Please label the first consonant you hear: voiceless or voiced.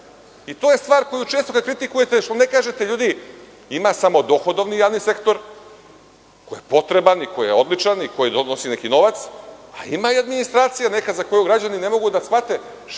voiceless